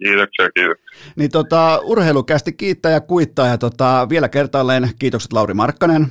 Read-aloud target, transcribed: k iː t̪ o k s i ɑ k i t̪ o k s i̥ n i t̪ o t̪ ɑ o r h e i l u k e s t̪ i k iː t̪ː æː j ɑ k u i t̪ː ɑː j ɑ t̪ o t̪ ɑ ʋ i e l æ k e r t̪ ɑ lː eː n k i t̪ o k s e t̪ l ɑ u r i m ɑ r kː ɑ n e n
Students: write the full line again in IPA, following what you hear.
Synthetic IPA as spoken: k iː t̪ o k s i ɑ k iː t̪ o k s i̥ n i t̪ o t̪ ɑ u r h e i l u k æ s t̪ i k iː t̪ː æː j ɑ k u i t̪ː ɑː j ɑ t̪ o t̪ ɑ ʋ i e l æ k e r t̪ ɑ lː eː n k iː t̪ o k s e t̪ l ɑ u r i m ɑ r kː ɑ n e n